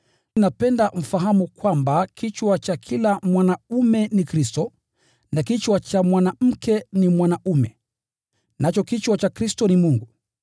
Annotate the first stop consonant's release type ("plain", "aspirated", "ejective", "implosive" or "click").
plain